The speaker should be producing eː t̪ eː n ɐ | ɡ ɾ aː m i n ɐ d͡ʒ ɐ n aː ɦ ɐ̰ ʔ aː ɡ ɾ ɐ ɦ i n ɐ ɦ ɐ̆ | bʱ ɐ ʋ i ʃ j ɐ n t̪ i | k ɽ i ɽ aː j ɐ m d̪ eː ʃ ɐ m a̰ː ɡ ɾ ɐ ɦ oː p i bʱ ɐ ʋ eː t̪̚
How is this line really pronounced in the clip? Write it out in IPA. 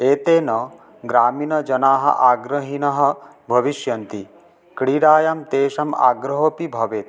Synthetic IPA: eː t̪ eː n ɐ | ɡ ɾ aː m i n ɐ d͡ʒ ɐ n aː ɦ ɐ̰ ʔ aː ɡ ɾ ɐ ɦ i n ɐ ɦ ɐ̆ | bʱ ɐ ʋ i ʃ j ɐ n t̪ i | k ɽ i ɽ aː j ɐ m t̪ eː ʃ ɐ m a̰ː ɡ ɾ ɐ ɦ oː p i bʱ ɐ ʋ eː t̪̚